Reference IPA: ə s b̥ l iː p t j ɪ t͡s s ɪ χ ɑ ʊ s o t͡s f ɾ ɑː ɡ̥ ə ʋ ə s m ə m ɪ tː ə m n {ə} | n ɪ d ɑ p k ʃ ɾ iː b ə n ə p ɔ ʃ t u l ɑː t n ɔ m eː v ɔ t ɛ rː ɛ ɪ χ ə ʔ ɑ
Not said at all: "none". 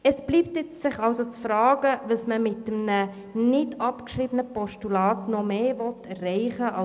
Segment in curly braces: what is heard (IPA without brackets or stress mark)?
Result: ə